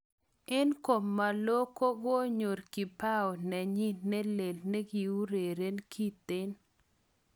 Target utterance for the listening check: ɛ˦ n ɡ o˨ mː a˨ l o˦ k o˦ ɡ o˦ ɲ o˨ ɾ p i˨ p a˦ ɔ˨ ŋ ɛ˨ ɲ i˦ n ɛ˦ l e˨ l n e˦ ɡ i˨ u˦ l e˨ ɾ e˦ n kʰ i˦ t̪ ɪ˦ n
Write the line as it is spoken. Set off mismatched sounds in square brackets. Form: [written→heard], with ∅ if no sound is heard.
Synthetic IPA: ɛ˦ n [ɡ→k] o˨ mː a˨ l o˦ k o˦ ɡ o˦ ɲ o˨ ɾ [p→k] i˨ p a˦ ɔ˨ [ŋ→n] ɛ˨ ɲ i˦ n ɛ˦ l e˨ l n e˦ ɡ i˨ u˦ [l→ɾ] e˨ ɾ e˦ n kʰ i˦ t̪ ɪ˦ n